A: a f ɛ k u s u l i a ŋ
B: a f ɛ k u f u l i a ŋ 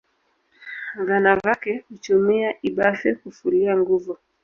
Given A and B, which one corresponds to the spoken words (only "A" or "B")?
B